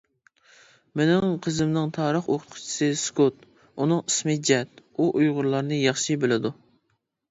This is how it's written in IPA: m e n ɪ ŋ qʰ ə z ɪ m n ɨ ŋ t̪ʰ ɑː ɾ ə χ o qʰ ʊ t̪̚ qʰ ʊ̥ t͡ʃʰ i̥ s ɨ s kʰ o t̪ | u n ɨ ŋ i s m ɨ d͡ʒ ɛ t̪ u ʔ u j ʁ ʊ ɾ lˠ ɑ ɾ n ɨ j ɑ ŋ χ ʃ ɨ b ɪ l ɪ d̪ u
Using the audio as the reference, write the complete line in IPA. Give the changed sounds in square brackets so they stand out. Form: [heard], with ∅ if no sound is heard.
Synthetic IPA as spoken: m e n ɪ ŋ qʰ ə z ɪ m n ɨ ŋ t̪ʰ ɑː ɾ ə χ o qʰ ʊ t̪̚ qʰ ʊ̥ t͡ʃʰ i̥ s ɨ s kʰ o t̪ | u n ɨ ŋ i s m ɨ d͡ʒ ɛ t̪ u ʔ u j ʁ ʊ ɾ lˠ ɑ ɾ n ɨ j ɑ [∅] χ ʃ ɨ b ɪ l ɪ d̪ u